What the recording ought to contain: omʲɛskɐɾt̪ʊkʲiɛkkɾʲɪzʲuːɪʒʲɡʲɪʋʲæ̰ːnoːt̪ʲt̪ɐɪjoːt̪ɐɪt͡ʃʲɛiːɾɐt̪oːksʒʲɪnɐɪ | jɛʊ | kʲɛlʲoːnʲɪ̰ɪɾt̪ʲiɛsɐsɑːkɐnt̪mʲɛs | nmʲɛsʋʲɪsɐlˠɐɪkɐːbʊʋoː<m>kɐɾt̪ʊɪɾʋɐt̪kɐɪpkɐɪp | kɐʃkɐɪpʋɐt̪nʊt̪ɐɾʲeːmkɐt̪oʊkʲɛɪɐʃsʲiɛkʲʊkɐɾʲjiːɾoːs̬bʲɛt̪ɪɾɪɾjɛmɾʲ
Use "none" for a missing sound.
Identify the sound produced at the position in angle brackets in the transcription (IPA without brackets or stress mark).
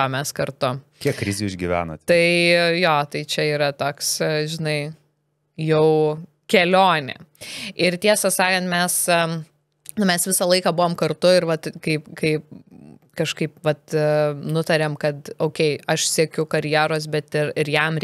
m